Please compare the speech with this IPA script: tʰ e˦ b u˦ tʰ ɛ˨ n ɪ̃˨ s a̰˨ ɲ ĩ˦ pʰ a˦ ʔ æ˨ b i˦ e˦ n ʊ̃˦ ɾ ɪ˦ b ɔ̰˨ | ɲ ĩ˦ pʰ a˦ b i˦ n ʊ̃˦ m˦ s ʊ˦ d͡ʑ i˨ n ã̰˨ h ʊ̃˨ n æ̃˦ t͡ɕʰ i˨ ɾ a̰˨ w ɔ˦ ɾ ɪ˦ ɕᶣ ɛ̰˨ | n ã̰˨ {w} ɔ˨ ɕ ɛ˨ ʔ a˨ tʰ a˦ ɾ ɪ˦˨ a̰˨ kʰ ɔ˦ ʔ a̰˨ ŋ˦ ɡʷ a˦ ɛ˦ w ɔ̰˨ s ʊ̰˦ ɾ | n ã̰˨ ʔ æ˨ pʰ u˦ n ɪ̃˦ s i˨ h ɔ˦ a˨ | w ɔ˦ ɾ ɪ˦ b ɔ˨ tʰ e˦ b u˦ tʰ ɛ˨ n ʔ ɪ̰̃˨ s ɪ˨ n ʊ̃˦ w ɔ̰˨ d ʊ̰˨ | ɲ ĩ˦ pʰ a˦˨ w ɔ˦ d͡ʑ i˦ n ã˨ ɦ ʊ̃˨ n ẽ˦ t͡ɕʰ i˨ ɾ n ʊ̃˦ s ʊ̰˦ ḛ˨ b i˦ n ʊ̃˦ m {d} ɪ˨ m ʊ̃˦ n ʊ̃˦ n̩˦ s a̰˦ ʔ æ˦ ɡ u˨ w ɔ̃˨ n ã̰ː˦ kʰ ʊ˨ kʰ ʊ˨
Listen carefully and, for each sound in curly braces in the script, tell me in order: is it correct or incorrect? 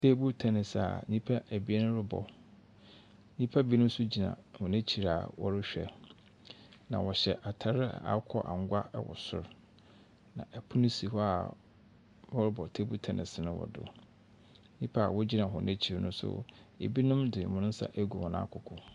correct, correct

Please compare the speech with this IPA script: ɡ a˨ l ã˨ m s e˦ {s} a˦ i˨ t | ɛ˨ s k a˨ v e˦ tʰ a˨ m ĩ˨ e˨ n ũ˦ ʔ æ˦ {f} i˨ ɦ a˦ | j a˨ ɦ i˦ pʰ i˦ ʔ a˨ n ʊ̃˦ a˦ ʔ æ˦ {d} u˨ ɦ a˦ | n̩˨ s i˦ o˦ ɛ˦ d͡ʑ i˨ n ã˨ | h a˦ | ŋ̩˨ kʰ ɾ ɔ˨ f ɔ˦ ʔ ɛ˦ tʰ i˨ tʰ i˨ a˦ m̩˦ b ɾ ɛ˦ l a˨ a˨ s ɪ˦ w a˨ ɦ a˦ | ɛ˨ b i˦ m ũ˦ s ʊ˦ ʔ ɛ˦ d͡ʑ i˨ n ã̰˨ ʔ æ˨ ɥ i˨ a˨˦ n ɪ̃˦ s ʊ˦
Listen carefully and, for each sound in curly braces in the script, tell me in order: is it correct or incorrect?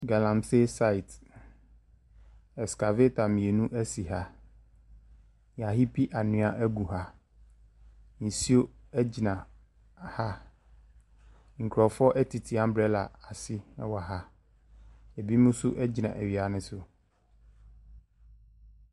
correct, incorrect: s, incorrect: ɡ

